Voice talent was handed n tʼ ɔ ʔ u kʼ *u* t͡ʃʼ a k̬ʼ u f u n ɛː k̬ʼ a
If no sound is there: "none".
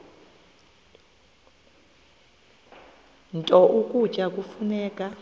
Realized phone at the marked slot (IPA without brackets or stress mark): u